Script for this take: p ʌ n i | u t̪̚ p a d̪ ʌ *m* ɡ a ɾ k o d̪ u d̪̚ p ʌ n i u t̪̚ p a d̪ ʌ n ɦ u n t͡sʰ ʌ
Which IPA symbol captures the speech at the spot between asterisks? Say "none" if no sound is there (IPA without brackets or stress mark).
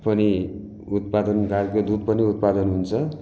n